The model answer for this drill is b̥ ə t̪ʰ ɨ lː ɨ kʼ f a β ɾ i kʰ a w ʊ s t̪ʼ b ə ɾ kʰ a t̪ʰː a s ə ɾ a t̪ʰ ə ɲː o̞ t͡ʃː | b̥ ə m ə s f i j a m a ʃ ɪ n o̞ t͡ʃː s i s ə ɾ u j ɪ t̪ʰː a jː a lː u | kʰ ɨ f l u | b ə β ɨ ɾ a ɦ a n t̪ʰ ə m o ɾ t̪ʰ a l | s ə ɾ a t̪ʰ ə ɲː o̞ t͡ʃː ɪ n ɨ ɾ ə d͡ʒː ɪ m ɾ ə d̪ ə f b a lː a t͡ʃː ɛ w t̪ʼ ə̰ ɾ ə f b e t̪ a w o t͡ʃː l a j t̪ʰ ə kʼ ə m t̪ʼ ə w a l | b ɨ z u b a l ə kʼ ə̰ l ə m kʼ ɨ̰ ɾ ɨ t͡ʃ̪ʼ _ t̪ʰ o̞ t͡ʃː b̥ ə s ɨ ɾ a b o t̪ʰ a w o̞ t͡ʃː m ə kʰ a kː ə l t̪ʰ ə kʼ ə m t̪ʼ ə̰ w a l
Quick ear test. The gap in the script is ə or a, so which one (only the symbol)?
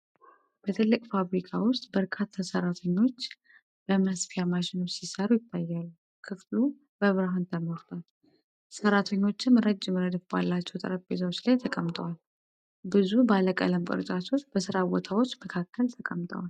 a